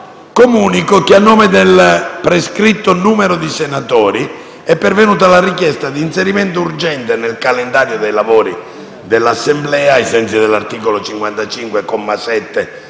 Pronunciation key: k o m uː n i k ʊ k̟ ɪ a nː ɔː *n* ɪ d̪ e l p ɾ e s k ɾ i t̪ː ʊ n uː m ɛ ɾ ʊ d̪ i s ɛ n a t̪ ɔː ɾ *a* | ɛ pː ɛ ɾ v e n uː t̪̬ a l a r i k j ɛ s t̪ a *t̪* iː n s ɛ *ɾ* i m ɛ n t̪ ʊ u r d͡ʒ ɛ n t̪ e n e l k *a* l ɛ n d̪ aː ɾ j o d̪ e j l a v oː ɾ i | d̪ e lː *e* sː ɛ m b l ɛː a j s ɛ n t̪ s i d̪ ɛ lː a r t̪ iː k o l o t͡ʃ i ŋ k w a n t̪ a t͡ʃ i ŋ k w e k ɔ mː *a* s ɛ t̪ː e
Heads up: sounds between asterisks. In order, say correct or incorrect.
incorrect, incorrect, incorrect, correct, correct, incorrect, correct

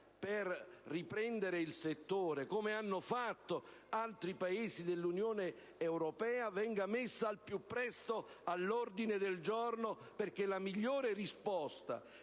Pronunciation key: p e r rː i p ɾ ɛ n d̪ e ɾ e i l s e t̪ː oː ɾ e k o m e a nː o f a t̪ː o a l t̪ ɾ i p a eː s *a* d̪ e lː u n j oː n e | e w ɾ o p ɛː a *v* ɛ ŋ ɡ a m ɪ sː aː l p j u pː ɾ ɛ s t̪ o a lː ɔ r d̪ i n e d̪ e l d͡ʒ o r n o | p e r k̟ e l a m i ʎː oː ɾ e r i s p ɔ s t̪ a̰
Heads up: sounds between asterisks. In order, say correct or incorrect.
incorrect, correct

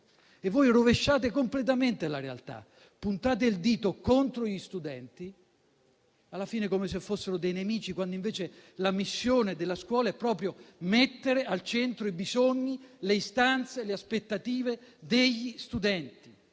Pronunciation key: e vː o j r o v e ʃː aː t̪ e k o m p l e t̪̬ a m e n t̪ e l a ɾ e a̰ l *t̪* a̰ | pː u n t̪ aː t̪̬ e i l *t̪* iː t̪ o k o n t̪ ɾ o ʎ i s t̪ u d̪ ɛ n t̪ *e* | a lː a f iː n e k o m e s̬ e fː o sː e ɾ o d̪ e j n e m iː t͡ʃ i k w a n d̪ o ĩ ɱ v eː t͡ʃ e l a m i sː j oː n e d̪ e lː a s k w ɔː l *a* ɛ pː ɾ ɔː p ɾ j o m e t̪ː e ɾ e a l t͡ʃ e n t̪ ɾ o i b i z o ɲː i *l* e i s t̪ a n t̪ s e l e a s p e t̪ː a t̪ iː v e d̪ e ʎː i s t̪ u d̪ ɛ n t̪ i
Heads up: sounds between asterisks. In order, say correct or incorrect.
correct, incorrect, incorrect, correct, correct

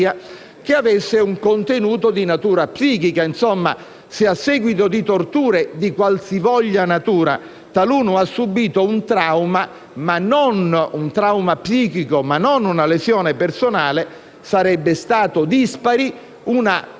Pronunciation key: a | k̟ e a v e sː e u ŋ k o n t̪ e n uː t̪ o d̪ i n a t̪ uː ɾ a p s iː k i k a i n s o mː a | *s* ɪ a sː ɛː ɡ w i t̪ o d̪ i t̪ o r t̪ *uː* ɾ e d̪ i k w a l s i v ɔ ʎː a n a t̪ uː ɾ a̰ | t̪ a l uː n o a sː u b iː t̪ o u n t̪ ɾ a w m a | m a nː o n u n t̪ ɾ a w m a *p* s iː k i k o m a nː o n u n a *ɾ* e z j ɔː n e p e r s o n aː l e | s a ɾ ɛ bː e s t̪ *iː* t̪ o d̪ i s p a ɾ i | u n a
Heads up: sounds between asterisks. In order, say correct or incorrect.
correct, correct, correct, incorrect, incorrect

